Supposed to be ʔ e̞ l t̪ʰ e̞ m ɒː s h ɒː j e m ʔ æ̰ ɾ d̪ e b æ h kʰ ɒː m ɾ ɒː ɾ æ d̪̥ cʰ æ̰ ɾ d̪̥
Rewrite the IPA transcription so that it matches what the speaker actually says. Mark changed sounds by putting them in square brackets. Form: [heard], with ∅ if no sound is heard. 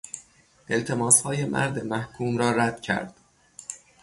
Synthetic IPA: ʔ e̞ l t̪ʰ e̞ m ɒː s h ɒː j e m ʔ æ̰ ɾ d̪ e [m] æ h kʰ [uː] m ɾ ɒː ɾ æ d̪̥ cʰ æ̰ ɾ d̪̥